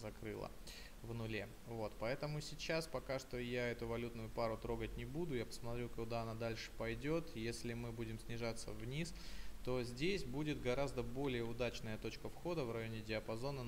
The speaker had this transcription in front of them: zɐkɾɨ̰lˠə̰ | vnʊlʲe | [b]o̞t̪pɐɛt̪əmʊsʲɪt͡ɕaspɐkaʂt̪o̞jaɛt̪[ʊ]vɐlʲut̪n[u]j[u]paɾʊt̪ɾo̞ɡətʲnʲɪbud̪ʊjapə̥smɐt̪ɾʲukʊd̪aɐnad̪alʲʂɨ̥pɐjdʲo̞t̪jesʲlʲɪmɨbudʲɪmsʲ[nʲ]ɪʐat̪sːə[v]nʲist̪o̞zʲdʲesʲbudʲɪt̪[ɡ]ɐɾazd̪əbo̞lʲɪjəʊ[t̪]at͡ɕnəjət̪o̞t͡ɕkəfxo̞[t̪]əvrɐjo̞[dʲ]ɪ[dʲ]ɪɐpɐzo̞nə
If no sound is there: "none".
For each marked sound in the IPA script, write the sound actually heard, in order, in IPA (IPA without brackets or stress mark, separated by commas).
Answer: v, ʊ, ʊ, ʊ, nʲ, v, ɡ, d̪, d̪, nʲ, dʲ